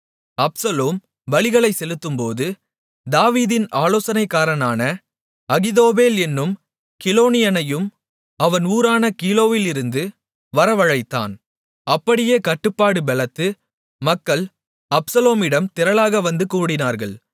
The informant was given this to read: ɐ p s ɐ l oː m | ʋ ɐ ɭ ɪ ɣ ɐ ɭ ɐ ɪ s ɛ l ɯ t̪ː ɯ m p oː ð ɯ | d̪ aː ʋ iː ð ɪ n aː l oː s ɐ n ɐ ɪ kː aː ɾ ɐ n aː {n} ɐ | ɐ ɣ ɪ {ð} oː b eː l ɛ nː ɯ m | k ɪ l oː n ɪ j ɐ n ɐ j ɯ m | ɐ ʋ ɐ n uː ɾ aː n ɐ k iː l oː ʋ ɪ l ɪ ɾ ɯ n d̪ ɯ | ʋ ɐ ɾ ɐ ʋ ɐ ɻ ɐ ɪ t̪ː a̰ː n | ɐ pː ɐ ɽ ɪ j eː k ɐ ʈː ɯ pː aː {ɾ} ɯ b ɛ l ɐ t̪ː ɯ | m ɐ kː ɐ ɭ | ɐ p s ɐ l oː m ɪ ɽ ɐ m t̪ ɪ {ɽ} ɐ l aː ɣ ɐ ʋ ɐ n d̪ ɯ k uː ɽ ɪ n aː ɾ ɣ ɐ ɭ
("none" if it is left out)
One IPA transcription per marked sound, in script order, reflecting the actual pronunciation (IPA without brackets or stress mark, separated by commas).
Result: n, ð, ɽ, ɾ